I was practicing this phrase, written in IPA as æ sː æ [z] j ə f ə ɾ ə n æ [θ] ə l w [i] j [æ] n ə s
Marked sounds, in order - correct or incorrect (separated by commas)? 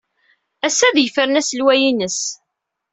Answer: incorrect, incorrect, incorrect, incorrect